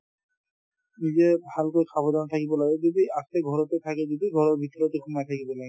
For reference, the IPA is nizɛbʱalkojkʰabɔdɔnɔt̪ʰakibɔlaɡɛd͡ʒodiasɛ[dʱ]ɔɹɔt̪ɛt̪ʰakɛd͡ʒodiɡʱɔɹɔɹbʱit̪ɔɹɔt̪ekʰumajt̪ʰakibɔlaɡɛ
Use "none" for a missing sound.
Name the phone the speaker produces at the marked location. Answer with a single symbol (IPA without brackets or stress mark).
ɡʱ